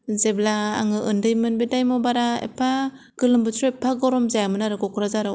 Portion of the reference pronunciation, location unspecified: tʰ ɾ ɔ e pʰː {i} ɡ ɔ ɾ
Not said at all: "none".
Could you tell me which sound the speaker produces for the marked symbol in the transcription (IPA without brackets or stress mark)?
a